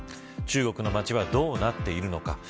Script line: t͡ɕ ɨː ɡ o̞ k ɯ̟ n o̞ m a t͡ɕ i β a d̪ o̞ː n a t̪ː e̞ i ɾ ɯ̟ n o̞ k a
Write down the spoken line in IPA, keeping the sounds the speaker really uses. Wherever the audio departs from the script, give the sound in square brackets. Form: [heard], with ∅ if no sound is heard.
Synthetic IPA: t͡ɕ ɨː ɡ o̞ k ɯ̟ n o̞ m a t͡ɕ i β a d̪ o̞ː n a t̪ː e̞ i ɾ ɯ̟ n o̞ k a